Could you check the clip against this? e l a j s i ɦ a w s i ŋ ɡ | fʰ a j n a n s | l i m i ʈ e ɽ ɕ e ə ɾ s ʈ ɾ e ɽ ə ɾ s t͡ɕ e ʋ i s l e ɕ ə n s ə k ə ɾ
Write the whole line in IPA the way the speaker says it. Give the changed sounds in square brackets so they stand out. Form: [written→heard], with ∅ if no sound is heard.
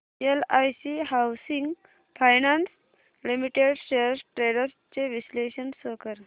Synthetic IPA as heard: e l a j s i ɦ a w s i ŋ ɡ | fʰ a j n a n s | l i m i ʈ e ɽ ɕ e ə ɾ s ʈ ɾ e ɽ ə ɾ s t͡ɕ e ʋ i s l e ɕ ə n s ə k ə ɾ